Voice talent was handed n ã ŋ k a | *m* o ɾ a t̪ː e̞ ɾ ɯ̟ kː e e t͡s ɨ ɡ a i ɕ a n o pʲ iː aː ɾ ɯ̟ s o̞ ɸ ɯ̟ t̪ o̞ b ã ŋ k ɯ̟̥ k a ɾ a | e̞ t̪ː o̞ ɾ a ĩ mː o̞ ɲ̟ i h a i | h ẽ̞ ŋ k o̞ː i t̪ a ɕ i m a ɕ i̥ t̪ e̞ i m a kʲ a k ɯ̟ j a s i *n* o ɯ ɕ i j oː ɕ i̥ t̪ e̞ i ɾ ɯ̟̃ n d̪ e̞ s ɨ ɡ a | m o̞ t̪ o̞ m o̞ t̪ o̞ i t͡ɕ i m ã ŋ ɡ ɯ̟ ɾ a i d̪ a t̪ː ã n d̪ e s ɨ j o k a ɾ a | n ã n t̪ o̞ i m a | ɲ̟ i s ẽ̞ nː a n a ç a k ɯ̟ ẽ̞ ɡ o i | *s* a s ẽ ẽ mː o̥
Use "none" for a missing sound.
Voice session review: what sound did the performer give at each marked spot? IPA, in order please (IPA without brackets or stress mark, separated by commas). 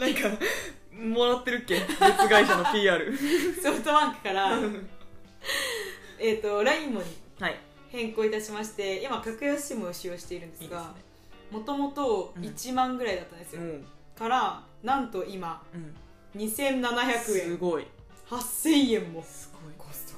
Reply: m, m, h